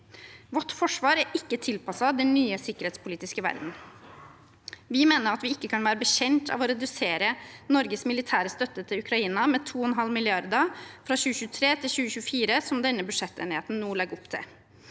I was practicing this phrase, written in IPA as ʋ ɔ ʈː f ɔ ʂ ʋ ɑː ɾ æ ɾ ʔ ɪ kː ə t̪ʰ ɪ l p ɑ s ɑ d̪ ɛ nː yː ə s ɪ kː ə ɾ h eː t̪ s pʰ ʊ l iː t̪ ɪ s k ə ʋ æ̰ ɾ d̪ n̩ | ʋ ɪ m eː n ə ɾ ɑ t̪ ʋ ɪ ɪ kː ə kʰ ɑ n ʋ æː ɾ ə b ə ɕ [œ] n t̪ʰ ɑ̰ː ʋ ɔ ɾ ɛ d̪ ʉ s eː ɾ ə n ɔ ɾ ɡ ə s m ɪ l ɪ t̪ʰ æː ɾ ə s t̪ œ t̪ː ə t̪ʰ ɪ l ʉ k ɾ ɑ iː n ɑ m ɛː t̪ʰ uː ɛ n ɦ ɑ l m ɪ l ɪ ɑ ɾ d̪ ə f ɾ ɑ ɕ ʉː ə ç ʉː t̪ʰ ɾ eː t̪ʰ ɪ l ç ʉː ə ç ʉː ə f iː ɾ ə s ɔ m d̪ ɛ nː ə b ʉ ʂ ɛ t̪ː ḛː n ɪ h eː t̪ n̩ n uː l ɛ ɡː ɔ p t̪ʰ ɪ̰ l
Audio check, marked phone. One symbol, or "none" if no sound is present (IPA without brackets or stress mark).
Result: ɛ